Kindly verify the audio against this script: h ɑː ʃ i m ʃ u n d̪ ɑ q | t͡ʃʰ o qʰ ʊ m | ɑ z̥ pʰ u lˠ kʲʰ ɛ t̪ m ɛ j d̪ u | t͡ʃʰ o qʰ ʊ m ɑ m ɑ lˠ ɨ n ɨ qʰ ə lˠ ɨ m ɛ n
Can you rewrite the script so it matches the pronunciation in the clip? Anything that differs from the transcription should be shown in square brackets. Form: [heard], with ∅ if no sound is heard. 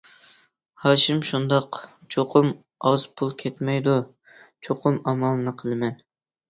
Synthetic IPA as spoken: h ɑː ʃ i m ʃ u n d̪ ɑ q | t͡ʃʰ o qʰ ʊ m | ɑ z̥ pʰ u lˠ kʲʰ ɛ t̪ m ɛ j d̪ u | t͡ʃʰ o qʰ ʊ m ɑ m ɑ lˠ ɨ n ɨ qʰ ə lˠ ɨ m ɛ n